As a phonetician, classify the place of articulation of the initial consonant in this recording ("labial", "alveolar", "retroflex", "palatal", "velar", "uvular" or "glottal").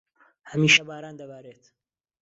glottal